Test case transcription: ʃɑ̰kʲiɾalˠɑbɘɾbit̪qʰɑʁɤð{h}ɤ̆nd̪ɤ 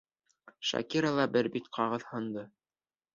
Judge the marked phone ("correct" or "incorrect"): correct